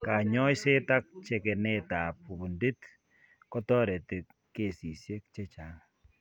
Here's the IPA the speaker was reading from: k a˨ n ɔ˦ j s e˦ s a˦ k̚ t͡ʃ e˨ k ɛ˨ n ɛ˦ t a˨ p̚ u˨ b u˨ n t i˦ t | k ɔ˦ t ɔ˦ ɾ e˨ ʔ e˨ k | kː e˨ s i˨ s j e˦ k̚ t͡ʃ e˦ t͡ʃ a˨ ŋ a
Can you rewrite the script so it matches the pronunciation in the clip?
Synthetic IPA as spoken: k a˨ ɲ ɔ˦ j s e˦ t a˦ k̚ t͡ʃ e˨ k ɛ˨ n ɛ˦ t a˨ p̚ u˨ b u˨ n d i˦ t | k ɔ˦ t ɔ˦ ɾ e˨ t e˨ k | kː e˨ s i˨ s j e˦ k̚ t͡ʃ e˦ t͡ʃ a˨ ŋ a